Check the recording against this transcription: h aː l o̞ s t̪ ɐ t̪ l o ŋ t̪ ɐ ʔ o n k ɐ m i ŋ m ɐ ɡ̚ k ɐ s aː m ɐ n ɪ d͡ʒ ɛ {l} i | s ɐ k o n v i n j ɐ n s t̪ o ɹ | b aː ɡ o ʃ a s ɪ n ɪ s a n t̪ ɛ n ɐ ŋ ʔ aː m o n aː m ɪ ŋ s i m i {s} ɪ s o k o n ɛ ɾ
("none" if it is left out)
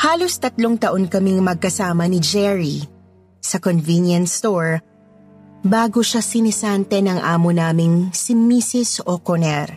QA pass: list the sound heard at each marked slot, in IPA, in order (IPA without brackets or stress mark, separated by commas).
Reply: ɹ, s